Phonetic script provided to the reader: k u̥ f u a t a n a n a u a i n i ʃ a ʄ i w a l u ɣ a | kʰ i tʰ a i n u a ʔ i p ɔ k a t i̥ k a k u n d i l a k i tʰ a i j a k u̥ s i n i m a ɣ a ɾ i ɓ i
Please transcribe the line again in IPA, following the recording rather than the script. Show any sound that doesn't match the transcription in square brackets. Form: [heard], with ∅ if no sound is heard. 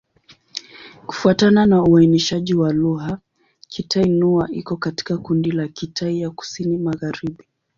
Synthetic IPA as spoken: k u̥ f u a t a n a n a u a i n i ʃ a ʄ i w a l u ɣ a | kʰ i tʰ a i n u a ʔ i [k] ɔ k a t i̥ k a k u n d i l a k i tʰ a i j a k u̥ s i n i m a ɣ a ɾ i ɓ i

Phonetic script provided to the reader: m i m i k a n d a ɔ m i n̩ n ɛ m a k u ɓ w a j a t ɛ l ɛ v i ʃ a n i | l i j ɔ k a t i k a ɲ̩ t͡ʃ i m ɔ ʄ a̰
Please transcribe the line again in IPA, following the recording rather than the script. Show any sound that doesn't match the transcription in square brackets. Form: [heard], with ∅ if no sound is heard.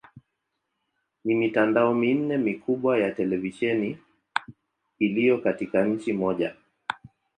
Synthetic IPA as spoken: [n] i m i [t] a n d a ɔ m i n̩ n ɛ m [i] k u ɓ w a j a t ɛ l ɛ v i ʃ [ɛ] n i | l i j ɔ k a t i k a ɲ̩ t͡ʃ i m ɔ ʄ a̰

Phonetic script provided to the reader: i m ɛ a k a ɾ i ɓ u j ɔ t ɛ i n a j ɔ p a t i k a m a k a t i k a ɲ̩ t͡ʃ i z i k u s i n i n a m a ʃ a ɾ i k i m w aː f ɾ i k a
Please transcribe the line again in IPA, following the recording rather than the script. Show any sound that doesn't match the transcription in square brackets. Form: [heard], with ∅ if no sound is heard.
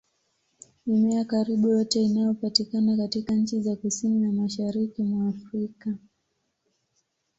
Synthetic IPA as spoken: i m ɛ a k a ɾ i ɓ u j ɔ t ɛ i n a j ɔ p a t i k a [n] a k a t i k a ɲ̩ t͡ʃ i z [a] k u s i n i n a m a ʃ a ɾ i k i m w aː f ɾ i k a

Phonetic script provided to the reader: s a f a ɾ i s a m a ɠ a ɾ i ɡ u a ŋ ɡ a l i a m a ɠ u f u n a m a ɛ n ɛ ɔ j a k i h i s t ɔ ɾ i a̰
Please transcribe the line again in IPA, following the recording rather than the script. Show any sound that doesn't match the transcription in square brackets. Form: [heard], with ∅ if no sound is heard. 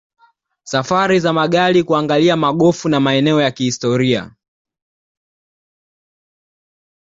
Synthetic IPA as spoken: s a f a ɾ i [z] a m a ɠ a [l] i [k] u a ŋ ɡ a l i a m a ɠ [ɔ] f u n a m a ɛ n ɛ ɔ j a k i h i s t ɔ ɾ i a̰

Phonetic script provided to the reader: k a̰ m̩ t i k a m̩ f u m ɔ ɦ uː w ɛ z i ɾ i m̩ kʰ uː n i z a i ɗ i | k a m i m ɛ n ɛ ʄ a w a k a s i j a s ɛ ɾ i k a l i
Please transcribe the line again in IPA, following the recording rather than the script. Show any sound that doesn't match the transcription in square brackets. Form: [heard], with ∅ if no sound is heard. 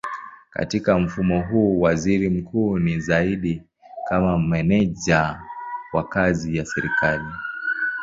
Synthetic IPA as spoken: k a̰ [∅] t i k a m̩ f u m ɔ ɦ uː w [a] z i ɾ i m̩ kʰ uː n i z a i ɗ i | k a m [a] m ɛ n ɛ ʄ a w a k a [z] i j a s ɛ ɾ i k a l i

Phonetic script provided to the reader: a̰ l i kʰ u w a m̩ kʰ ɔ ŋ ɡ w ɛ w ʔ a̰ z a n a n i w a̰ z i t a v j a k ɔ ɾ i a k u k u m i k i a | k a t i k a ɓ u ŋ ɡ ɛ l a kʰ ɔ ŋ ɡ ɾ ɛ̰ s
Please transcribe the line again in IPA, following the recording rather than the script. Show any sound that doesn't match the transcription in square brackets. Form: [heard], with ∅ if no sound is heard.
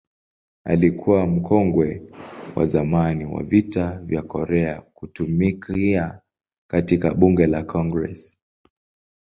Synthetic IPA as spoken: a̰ l i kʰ u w a m̩ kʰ ɔ ŋ ɡ w ɛ w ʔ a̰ z a [m] a n i w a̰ [v] i t a v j a k ɔ ɾ [ɛ] a k u [t] u m i k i a | k a t i k a ɓ u ŋ ɡ ɛ l a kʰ ɔ ŋ ɡ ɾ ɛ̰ s

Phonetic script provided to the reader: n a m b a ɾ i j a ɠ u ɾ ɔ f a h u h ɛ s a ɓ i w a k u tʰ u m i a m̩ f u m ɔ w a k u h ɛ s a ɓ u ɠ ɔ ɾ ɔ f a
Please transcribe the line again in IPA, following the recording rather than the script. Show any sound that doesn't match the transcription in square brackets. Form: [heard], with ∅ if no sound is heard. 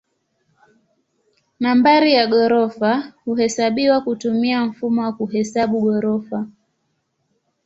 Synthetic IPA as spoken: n a m b a ɾ i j a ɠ [ɔ] ɾ ɔ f a h u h ɛ s a ɓ i w a k u [t] u m i a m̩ f u m ɔ w a k u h ɛ s a ɓ u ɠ ɔ ɾ ɔ f a

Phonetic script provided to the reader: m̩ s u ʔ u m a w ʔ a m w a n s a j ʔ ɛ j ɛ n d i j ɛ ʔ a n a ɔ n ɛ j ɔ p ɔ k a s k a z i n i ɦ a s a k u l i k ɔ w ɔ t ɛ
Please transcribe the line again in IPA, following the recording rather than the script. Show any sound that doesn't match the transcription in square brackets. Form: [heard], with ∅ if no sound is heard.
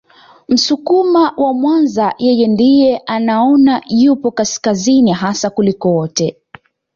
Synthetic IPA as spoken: m̩ s u [k] u m a w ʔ a m w a n [z] a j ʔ ɛ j ɛ n d i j ɛ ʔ a n a ɔ n [a] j [u] p ɔ k a s k a z i n i ɦ a s a k u l i k ɔ w ɔ t ɛ

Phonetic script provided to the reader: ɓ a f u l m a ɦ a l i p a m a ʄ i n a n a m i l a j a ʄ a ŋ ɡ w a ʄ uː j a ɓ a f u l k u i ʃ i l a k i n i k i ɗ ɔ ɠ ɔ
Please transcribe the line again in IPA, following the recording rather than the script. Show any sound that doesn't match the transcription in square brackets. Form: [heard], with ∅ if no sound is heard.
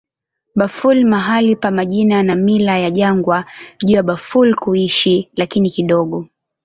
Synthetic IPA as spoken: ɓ a f u l m a ɦ a l i p a m a ʄ i n a n a m i l a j a ʄ a ŋ ɡ w a ʄ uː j a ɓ a f u l k u i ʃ i l a k i n i k i ɗ ɔ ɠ ɔ

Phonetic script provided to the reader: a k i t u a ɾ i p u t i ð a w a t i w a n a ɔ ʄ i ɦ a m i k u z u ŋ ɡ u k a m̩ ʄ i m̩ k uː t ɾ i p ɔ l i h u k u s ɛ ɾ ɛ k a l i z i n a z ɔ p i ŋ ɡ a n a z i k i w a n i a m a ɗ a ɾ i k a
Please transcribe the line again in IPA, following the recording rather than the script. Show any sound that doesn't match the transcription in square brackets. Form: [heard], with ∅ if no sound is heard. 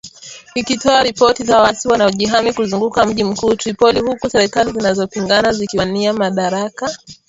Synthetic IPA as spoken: [i] k i t [ɔ] a ɾ i p [ɔ] t i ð a w a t i w a n a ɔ ʄ i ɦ a m i k u z u ŋ ɡ u k a m̩ ʄ i m̩ k uː t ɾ i p ɔ l i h u k u s ɛ ɾ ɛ k a l i z i n a z ɔ p i ŋ ɡ a n a z i k i w a n i a m a ɗ a ɾ [a] k a

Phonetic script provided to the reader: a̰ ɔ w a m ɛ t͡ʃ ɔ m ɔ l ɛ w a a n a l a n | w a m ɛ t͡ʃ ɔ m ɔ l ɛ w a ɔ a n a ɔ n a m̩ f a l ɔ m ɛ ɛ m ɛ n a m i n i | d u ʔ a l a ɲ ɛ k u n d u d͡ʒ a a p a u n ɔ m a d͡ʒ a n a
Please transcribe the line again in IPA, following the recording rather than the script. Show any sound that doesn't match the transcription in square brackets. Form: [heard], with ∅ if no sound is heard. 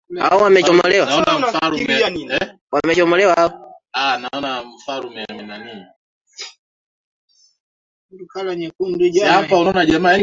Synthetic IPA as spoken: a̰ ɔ w a m ɛ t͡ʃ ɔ m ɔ l ɛ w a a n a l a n | w a m ɛ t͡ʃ ɔ m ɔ l ɛ w a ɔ a n a ɔ n a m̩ f a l [u] m ɛ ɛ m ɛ n a [n] i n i | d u [k] a l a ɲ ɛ k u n d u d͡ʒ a a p a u n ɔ [n] a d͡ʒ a [m] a

